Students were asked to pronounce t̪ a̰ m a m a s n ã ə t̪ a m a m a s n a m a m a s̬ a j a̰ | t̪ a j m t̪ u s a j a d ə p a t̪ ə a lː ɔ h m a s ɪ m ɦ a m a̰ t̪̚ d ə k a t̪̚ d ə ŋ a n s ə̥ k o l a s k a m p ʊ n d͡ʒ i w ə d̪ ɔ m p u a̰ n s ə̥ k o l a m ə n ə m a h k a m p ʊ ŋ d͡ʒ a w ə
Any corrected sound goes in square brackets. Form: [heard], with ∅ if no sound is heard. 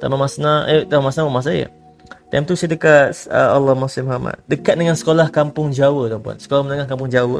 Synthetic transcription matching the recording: t̪ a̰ m a m a s n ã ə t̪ a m a m a s n a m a m a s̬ a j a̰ | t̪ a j m t̪ u s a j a d ə [k] a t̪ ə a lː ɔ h m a s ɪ m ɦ a m a̰ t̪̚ d ə k a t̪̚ d ə ŋ a n s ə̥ k o l a [h] k a m p ʊ [ŋ] d͡ʒ [a] w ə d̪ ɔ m p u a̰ n s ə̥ k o l a m ə n ə [ŋ] a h k a m p ʊ ŋ d͡ʒ a w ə